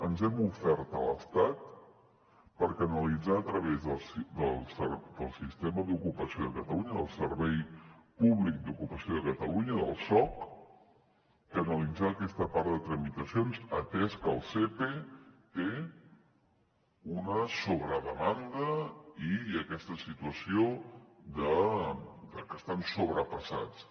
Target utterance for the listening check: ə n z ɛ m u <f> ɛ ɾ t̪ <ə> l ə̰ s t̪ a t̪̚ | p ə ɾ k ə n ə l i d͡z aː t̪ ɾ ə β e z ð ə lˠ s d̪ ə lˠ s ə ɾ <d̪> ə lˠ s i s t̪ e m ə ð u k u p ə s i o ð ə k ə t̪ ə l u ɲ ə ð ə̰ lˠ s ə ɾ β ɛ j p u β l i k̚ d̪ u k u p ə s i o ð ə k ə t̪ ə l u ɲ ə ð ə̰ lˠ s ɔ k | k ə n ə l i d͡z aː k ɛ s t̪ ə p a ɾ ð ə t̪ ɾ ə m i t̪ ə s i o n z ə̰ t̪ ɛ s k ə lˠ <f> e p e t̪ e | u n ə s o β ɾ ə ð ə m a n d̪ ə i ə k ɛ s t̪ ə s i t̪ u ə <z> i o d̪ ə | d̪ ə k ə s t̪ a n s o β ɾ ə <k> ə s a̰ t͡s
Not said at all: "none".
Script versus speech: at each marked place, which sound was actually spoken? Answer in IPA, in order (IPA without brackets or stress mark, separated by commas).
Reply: f, ə, d̪, s, s, p